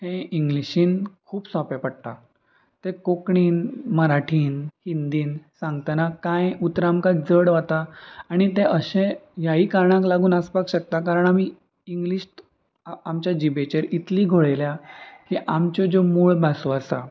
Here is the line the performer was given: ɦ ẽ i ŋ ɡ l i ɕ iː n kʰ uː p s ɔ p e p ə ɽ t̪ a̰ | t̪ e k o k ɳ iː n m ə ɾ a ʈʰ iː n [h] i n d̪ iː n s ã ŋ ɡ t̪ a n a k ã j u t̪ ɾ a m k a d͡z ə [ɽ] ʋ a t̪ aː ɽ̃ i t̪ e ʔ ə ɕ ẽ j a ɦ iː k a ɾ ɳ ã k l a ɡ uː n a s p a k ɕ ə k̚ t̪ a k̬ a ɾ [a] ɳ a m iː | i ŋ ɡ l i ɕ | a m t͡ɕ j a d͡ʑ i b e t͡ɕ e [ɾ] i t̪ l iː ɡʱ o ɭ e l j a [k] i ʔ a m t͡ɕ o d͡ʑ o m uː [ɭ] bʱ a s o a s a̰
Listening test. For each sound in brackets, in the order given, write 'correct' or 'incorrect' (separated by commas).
correct, correct, incorrect, correct, correct, correct